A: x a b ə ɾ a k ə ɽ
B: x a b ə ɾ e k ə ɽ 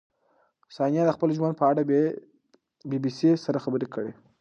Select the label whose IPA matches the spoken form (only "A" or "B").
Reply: B